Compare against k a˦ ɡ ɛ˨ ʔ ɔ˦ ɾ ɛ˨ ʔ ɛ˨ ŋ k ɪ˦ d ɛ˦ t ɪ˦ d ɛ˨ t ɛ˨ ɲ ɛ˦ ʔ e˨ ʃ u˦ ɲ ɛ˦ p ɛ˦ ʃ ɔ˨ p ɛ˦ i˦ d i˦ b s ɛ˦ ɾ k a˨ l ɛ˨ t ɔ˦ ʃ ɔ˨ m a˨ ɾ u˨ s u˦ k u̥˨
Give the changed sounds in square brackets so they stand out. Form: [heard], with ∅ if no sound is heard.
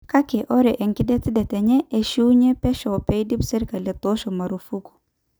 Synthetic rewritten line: k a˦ [k] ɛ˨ ʔ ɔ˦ ɾ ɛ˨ ʔ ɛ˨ ŋ k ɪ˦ d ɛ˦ t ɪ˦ d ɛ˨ t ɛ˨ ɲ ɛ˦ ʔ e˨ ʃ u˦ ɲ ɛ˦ p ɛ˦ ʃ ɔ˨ p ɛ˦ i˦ d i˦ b s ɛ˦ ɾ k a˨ l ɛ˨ t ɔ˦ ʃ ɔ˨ m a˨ ɾ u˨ [f] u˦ k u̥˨